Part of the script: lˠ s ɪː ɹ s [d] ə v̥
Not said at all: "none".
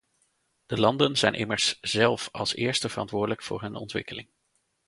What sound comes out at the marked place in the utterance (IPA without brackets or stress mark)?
t